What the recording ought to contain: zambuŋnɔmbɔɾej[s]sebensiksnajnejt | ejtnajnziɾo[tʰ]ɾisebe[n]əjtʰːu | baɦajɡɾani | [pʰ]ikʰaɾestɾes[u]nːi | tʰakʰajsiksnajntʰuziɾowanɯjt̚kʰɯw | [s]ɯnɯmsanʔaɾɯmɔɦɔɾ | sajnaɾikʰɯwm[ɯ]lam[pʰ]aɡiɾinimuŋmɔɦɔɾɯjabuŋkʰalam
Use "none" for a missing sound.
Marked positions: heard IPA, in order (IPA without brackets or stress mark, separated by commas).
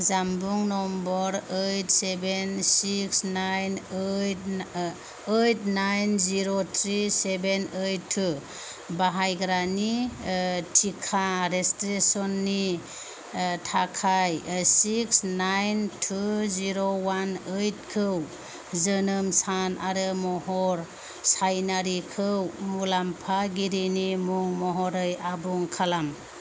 t, tʰ, n, tʰ, ɔ, z, u, pʰ